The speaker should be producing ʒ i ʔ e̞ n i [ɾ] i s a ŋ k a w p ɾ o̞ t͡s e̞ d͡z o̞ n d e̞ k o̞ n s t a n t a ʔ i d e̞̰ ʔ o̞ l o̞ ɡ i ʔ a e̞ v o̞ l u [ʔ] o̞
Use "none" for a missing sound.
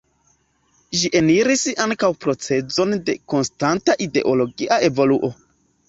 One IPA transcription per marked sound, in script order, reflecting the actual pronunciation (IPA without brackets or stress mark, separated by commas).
ɾ, ʔ